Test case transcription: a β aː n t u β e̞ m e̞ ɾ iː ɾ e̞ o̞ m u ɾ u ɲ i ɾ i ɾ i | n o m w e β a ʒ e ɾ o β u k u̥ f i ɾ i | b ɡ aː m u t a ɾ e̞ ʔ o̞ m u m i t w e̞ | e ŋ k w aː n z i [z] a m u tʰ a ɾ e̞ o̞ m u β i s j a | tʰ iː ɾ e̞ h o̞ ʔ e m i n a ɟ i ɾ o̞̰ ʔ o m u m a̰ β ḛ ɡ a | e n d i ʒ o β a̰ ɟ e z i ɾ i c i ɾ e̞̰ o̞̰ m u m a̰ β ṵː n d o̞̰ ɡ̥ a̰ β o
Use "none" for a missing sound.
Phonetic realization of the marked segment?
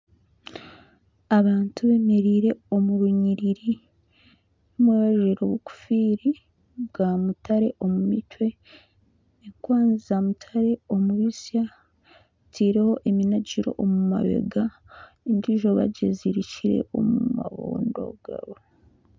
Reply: z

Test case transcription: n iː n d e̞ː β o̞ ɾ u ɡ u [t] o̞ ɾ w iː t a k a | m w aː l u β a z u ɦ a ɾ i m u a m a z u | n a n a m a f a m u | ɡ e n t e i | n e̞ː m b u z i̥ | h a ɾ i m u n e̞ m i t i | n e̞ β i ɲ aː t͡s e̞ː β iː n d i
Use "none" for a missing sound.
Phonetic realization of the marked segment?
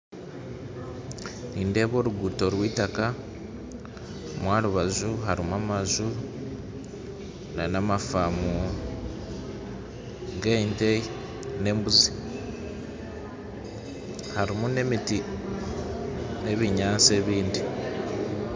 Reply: t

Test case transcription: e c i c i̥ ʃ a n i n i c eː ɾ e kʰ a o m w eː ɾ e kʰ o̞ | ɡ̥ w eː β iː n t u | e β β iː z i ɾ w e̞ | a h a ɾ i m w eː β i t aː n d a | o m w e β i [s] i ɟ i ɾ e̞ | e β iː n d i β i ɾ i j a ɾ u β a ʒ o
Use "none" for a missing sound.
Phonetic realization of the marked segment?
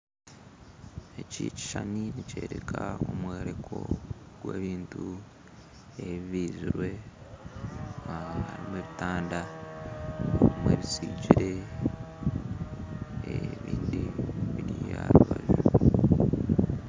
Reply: s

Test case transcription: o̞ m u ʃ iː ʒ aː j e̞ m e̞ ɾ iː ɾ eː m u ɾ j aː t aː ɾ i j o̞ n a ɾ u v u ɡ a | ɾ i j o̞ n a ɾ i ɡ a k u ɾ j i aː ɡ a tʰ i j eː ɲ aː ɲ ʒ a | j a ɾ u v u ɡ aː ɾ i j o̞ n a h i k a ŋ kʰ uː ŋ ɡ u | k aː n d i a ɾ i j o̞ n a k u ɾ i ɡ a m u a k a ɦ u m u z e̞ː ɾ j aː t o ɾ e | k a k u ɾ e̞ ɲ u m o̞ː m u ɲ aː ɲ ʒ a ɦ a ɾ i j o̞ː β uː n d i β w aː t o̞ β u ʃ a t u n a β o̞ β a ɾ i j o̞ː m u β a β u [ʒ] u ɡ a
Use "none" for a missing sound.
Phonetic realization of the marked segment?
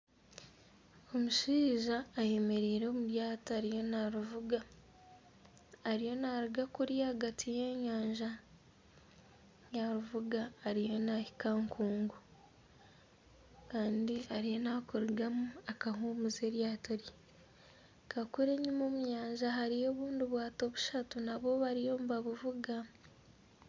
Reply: v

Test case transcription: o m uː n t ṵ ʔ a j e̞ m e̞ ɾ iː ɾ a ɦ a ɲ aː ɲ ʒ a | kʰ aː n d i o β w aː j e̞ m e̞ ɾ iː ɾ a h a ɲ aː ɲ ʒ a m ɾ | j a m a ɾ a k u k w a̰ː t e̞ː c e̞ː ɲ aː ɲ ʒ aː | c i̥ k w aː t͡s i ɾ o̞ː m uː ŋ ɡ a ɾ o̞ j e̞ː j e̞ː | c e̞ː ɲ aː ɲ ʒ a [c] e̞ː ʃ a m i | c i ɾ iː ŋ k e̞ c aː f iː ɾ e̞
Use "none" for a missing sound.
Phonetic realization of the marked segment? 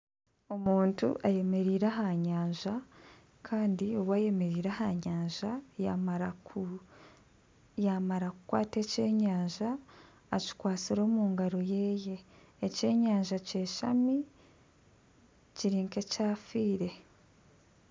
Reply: c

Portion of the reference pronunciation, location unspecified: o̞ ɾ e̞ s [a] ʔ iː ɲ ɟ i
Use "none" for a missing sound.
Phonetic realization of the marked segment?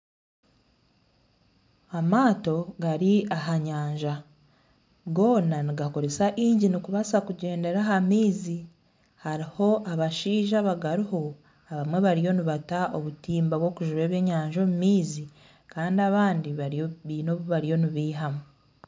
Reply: a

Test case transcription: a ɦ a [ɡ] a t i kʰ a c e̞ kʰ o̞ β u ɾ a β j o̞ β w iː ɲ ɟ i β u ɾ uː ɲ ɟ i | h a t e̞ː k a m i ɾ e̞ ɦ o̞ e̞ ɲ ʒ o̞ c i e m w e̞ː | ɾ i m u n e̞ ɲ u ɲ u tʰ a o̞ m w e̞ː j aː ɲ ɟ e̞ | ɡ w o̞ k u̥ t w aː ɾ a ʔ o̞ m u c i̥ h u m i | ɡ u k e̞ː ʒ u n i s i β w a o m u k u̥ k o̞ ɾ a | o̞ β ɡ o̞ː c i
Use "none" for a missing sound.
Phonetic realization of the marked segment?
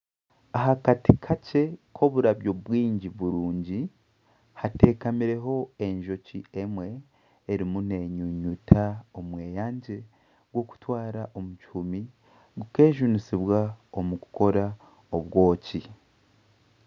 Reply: k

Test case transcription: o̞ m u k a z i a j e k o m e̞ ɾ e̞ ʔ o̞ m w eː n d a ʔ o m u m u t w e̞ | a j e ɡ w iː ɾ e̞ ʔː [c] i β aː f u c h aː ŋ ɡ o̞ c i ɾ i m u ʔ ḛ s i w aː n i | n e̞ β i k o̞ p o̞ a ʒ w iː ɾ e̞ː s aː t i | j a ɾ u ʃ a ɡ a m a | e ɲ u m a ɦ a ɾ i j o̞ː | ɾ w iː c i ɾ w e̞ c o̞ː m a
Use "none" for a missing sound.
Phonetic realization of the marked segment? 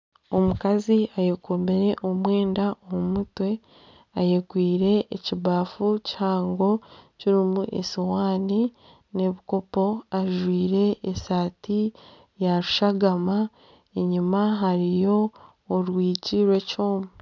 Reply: c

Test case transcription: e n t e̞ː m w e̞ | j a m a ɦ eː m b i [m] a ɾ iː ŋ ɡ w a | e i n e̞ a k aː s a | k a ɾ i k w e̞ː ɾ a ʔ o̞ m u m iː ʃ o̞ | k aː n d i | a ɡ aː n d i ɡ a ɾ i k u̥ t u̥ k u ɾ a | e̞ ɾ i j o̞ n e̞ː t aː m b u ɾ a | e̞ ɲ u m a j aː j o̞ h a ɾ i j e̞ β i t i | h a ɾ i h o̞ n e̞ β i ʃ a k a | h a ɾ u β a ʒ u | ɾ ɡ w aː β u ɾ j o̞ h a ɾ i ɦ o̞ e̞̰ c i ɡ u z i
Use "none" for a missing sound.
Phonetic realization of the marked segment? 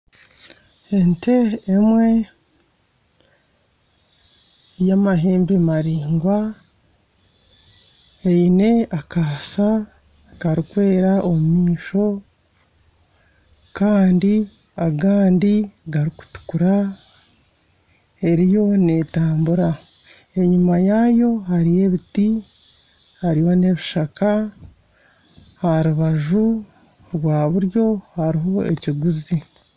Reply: m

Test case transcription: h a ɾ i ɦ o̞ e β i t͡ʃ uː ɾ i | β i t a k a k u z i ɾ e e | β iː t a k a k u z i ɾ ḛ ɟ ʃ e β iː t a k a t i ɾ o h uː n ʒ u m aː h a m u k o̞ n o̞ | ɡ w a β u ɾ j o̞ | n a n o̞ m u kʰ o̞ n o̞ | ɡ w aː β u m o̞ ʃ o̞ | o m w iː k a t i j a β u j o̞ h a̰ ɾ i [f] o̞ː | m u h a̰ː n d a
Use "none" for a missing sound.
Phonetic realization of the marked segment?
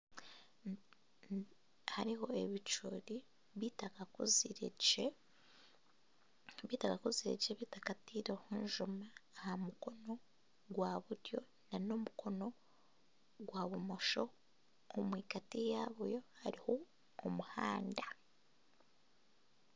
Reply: h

